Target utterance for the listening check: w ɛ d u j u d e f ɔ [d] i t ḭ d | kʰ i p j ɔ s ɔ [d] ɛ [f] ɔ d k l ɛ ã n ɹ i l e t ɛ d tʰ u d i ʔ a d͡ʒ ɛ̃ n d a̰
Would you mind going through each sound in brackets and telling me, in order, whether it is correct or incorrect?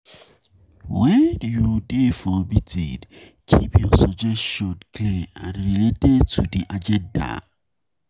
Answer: incorrect, incorrect, incorrect

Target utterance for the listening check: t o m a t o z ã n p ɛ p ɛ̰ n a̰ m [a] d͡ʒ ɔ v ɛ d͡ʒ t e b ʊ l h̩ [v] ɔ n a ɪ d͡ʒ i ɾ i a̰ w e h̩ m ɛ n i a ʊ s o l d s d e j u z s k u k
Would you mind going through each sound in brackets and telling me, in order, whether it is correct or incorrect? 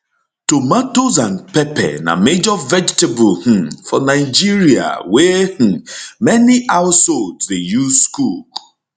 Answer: incorrect, incorrect

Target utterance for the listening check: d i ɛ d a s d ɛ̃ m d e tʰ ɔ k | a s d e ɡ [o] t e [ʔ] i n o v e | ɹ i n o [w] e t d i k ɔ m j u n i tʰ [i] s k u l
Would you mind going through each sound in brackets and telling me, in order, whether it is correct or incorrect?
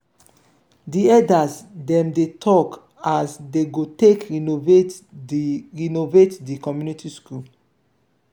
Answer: correct, incorrect, incorrect, correct

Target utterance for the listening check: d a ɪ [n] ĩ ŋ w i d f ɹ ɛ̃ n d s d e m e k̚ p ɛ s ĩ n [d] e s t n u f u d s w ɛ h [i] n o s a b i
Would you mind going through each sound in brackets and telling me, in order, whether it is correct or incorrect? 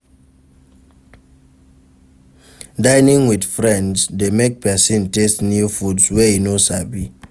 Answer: correct, incorrect, correct

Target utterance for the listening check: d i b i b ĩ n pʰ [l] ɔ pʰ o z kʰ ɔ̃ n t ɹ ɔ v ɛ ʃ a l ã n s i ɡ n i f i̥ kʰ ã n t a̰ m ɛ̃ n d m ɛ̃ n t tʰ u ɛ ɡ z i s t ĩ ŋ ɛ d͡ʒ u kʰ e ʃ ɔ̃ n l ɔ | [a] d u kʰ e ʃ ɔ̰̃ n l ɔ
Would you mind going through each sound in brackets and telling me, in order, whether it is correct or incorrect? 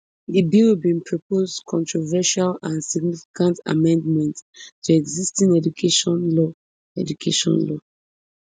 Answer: incorrect, incorrect

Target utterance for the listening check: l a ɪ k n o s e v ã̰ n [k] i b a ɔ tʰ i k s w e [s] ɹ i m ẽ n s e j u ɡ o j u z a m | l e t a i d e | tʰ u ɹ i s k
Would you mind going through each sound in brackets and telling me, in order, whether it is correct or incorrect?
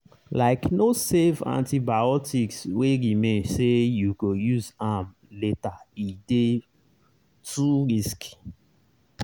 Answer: incorrect, incorrect

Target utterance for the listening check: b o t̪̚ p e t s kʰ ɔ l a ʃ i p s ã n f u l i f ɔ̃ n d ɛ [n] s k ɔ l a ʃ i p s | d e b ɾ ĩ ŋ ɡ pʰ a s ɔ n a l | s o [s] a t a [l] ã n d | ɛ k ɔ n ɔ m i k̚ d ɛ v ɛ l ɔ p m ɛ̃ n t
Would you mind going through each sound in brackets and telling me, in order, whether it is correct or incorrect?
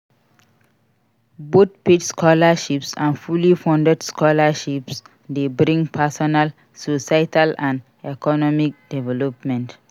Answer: incorrect, correct, correct

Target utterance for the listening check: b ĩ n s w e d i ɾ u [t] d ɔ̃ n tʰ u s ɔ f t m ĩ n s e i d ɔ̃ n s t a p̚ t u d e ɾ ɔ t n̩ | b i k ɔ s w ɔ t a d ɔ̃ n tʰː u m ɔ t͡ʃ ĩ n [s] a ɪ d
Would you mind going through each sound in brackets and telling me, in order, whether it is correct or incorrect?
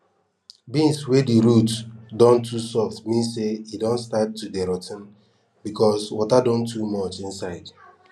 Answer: correct, correct

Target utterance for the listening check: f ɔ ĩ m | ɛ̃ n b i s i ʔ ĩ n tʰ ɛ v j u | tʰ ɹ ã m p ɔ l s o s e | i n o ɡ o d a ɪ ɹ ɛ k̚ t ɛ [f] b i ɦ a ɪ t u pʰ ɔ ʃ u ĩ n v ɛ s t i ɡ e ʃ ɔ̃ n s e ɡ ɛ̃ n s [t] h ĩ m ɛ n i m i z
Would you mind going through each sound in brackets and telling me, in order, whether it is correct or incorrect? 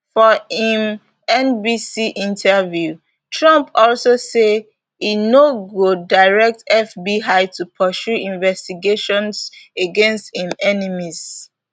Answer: correct, correct

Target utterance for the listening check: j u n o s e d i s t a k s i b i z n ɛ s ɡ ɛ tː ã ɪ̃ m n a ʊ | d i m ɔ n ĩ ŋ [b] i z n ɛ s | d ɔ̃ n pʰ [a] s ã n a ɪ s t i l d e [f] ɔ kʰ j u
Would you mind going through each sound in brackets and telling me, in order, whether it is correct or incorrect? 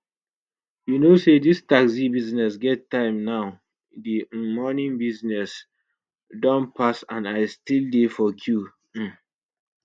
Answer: correct, correct, correct

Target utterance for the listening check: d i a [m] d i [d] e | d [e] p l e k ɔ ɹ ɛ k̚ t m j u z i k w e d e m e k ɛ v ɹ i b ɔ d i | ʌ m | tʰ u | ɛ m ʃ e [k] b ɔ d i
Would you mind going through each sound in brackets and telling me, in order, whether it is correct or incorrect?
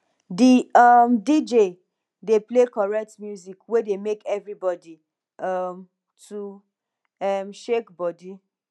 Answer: correct, incorrect, correct, correct

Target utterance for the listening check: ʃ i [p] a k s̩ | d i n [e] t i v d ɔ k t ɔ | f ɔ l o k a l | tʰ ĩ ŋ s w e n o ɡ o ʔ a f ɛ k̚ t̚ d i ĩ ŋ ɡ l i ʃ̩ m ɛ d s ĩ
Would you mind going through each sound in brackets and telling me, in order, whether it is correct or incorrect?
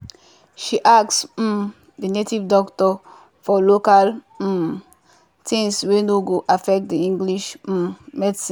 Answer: incorrect, correct

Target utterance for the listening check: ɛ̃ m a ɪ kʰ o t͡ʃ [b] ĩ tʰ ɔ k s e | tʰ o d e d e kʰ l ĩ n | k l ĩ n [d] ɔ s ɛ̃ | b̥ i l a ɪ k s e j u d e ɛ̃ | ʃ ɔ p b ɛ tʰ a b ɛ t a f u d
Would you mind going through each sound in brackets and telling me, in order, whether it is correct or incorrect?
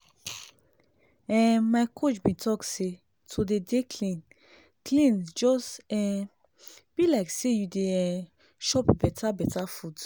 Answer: correct, incorrect

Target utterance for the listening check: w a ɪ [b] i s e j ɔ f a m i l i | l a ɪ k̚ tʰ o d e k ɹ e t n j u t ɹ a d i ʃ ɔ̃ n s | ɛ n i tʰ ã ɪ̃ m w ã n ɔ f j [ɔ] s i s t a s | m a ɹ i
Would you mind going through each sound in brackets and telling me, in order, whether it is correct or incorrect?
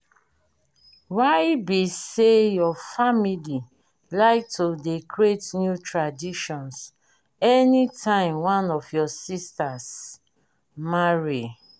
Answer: correct, correct

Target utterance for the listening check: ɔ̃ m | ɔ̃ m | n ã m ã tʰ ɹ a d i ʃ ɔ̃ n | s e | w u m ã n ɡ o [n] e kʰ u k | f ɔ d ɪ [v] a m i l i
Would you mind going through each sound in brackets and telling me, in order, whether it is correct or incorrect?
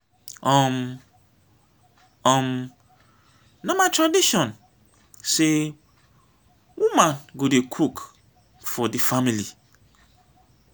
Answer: incorrect, incorrect

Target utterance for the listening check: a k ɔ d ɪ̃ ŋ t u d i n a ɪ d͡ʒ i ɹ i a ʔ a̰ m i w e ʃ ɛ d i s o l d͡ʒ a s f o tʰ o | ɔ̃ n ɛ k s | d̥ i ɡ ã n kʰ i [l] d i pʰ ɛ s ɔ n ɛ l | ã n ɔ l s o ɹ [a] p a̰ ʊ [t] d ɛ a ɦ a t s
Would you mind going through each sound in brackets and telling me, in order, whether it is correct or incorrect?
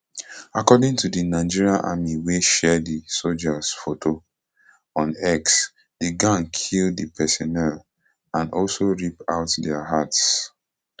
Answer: correct, incorrect, correct

